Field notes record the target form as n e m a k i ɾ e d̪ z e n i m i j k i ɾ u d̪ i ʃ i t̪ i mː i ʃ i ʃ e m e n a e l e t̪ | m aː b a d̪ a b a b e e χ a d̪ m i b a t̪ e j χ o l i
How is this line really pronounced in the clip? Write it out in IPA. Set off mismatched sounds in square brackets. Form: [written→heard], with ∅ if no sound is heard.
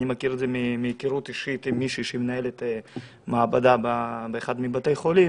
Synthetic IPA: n [e→i] m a k i ɾ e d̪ z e [n→m] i m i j k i ɾ u [d̪→t̪] i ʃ i t̪ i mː i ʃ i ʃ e m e n a e l e t̪ | m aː b a d̪ a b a b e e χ a d̪ m i b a t̪ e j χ o l i